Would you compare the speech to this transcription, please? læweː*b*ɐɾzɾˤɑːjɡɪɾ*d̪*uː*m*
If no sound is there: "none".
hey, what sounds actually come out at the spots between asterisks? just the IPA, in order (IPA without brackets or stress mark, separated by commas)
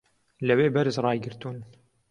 b, t̪, n